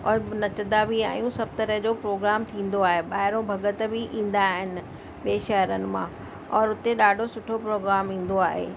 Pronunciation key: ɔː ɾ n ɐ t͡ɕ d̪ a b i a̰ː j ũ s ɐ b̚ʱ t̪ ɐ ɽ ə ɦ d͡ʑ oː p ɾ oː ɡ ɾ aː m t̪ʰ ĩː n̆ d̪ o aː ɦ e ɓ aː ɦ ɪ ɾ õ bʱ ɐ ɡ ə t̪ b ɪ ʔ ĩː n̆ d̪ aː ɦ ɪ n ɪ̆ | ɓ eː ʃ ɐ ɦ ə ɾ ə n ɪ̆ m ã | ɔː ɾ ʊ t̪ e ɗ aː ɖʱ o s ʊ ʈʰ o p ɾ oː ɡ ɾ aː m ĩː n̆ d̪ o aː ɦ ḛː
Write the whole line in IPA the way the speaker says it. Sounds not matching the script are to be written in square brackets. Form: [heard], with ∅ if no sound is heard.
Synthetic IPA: ɔː ɾ n ɐ t͡ɕ d̪ a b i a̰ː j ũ s ɐ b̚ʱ t̪ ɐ [ɾ] ə ɦ d͡ʑ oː p ɾ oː ɡ ɾ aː m t̪ʰ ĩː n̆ d̪ o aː ɦ e ɓ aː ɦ ɪ ɾ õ bʱ ɐ ɡ ə t̪ b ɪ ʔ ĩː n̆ d̪ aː ɦ ɪ n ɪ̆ | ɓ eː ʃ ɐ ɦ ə ɾ ə n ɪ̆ m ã | ɔː ɾ ʊ t̪ e ɗ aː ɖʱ o s ʊ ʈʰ o p ɾ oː ɡ ɾ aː m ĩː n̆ d̪ o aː ɦ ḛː

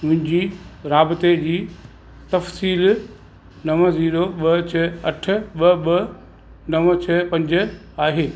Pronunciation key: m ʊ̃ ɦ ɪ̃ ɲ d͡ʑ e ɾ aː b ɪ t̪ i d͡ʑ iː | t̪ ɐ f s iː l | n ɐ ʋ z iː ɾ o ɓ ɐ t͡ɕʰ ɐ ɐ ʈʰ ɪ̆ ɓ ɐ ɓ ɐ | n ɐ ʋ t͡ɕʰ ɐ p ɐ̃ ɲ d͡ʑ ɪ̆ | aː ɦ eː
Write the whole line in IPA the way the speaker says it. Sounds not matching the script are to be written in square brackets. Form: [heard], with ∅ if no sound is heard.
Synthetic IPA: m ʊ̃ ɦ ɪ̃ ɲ d͡ʑ [i] ɾ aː b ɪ t̪ [e] d͡ʑ iː | t̪ ɐ f s iː l | n ɐ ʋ z iː ɾ o ɓ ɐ t͡ɕʰ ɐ ɐ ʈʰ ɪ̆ ɓ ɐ ɓ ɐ | n ɐ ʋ t͡ɕʰ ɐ p ɐ̃ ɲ d͡ʑ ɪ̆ | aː ɦ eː

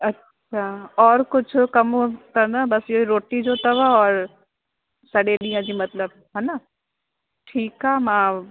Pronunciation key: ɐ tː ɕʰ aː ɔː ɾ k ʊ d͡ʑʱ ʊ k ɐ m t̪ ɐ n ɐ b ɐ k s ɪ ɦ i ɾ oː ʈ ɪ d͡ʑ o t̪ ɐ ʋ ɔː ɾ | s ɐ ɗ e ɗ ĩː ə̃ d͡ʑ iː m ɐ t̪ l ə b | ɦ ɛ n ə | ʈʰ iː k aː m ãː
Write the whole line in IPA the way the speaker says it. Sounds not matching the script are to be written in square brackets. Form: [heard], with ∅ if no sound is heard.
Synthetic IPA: ɐ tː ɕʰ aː ɔː ɾ k ʊ d͡ʑʱ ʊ k ɐ m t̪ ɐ n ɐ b ɐ [∅] s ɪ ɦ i ɾ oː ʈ [i] d͡ʑ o t̪ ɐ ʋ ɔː ɾ | s ɐ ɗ e ɗ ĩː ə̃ d͡ʑ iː m ɐ t̪ l ə b | ɦ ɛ n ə | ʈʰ iː k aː m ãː

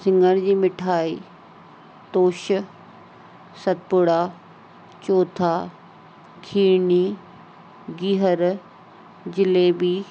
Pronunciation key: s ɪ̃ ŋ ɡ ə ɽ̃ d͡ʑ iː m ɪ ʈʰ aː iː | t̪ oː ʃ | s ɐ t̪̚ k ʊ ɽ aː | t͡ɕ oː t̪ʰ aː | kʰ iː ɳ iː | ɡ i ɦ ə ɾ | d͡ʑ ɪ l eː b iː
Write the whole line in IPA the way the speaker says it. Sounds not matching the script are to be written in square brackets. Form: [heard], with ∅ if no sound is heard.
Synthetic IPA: s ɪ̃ ŋ ɡ ə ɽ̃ d͡ʑ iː m ɪ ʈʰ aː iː | t̪ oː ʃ | s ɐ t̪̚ [p] ʊ ɽ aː | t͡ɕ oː t̪ʰ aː | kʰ iː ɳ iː | ɡ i ɦ ə ɾ | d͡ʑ ɪ l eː b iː

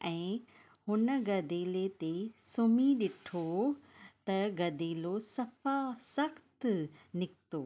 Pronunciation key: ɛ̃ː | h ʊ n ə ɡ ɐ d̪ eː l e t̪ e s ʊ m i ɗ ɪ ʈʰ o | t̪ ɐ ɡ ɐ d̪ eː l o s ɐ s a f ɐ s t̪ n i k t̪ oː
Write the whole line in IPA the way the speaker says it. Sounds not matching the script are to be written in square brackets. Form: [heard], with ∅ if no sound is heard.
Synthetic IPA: ɛ̃ː | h ʊ n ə ɡ ɐ d̪ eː l e t̪ e s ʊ m i ɗ ɪ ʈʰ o | t̪ ɐ ɡ ɐ d̪ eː l o s ɐ [f] a [s] ɐ [x] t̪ n [ɪ] k t̪ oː

